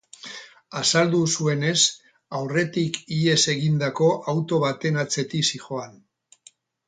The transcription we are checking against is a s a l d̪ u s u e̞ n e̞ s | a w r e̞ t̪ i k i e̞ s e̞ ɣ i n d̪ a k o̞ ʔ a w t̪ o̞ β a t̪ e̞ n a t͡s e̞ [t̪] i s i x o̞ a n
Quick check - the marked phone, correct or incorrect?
correct